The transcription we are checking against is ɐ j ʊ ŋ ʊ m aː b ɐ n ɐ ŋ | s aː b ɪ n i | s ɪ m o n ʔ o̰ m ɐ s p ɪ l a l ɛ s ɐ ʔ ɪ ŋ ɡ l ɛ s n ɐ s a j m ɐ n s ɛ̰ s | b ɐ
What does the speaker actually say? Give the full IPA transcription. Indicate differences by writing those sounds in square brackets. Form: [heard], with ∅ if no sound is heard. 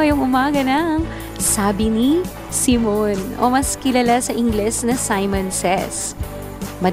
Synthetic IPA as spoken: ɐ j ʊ ŋ ʊ m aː [ɡ] ɐ n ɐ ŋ | s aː b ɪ n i | s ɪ m o n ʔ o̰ m ɐ s [k] ɪ l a l [a] s ɐ ʔ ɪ ŋ ɡ l ɛ s n ɐ s a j m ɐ n s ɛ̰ s | [m] ɐ